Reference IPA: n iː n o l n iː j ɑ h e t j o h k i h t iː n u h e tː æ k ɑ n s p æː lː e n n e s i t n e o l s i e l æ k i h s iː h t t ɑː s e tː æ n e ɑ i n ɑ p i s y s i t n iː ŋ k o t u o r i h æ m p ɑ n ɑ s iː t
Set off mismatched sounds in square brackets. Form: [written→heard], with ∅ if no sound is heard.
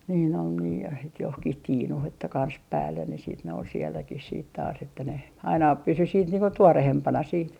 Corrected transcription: n iː n o l n iː j ɑ h e t j o h k i h t iː n u h e tː æ k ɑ n s p æː lː e n n e s [i→iː] t n e o l s i e [l→lː] æ k i h s iː [h→∅] t t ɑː s e tː æ n e ɑ i n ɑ p [i→y] s y s [i→iː] t n iː ŋ k o t u o r [i→e] h [æ→e] m p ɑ n ɑ s iː t